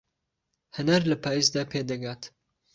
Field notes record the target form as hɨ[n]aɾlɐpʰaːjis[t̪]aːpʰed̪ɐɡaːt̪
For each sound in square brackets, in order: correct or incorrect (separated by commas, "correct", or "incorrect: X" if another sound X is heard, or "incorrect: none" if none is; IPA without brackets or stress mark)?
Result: correct, incorrect: d̪